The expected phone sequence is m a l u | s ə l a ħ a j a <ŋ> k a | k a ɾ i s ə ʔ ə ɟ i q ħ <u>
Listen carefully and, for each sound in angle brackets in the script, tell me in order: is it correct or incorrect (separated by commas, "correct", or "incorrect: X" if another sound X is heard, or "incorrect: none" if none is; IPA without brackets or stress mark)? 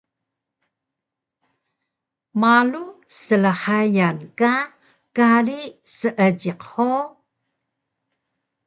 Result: incorrect: n, incorrect: o